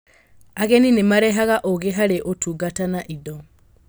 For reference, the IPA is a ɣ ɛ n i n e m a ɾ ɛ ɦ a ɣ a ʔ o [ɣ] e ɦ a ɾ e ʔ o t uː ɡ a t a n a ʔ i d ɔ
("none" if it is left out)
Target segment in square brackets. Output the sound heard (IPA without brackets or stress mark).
ɣ